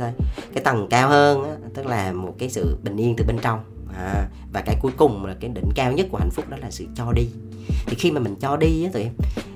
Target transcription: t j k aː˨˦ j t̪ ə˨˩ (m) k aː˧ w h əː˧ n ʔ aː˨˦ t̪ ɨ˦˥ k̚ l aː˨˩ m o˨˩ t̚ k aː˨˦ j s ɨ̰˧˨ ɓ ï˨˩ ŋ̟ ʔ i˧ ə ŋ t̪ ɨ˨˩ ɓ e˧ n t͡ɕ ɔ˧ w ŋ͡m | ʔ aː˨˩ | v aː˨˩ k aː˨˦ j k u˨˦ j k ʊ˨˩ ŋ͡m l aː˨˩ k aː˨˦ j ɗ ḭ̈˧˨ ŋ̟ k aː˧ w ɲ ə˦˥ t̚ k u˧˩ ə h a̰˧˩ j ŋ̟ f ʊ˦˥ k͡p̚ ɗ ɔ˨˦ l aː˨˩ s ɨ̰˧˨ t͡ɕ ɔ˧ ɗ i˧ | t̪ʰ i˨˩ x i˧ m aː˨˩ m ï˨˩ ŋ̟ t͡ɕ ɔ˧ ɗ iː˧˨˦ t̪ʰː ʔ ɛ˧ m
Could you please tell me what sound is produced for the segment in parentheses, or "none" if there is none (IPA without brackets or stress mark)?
ŋ